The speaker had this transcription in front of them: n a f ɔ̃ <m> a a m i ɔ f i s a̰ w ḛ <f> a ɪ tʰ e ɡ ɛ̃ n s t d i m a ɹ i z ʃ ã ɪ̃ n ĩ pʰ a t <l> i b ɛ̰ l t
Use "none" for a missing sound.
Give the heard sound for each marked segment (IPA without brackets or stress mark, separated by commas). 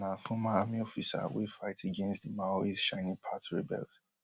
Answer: m, f, ɹ